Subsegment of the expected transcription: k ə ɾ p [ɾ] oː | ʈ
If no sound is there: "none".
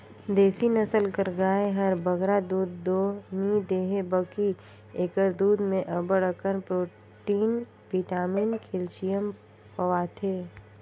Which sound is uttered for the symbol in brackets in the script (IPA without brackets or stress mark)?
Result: ɾ